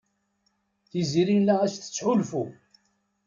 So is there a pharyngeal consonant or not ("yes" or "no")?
yes